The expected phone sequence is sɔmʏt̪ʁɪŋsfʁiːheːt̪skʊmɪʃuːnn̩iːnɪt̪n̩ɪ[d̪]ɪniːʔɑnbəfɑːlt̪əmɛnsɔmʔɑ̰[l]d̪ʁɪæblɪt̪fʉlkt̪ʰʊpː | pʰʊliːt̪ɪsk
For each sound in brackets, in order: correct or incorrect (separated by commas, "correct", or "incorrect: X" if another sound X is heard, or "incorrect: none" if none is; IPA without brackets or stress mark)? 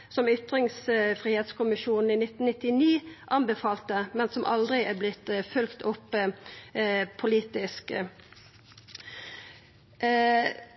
incorrect: t̪, correct